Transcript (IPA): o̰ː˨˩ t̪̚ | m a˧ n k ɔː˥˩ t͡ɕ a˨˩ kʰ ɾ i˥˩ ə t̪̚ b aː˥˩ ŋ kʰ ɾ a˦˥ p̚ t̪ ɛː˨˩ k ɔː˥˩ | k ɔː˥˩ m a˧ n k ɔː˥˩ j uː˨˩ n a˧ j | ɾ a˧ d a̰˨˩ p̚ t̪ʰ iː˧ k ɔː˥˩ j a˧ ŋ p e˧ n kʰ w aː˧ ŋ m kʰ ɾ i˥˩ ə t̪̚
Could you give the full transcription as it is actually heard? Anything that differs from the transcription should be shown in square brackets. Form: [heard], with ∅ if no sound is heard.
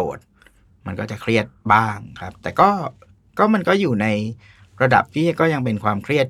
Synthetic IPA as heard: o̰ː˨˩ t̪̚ | m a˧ n k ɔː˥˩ t͡ɕ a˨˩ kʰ ɾ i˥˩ ə t̪̚ b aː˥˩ ŋ kʰ ɾ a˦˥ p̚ t̪ ɛː˨˩ k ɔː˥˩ | k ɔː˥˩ m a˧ n k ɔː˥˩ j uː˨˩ n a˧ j | ɾ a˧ d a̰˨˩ p̚ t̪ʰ [iː˥˩] k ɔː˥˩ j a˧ ŋ p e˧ n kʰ w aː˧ [∅] m kʰ ɾ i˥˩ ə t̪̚